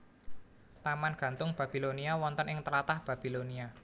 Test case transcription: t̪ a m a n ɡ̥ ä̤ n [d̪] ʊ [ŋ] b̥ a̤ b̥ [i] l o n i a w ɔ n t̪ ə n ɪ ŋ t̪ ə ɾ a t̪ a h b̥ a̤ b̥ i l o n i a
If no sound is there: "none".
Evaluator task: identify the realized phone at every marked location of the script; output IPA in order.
t̪, ŋ, i

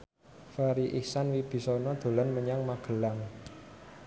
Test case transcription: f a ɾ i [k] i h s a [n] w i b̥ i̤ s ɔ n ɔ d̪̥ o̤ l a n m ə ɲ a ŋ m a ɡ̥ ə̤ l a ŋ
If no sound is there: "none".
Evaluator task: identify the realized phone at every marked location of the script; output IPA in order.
ʔ, n

